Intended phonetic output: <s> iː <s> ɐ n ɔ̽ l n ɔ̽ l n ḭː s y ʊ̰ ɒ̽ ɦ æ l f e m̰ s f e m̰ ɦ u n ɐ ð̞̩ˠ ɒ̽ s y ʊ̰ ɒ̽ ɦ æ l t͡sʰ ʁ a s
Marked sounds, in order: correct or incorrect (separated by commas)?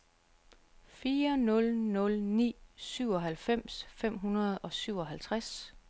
incorrect, incorrect